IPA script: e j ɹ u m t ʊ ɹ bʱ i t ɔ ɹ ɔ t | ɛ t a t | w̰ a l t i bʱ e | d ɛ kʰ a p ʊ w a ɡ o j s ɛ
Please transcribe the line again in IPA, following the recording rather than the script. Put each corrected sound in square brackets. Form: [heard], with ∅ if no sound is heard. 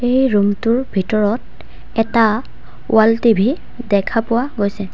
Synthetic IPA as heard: e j ɹ u m t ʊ ɹ bʱ i t ɔ ɹ ɔ t | ɛ t a [∅] | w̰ a l t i bʱ [i] | d ɛ kʰ a p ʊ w a ɡ o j s ɛ